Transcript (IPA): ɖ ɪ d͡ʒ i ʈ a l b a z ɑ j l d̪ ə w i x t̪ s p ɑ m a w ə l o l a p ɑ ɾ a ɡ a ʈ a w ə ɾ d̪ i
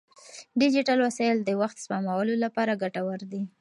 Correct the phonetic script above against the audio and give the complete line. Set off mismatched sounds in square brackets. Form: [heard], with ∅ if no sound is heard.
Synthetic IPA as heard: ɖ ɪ d͡ʒ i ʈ a l [w] a [s] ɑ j l d̪ ə w [a] x t̪ s p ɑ m a w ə l o l a p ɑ ɾ a ɡ a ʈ a w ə ɾ d̪ i